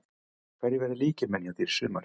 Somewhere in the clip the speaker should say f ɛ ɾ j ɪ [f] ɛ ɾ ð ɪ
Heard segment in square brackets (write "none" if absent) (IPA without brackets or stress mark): v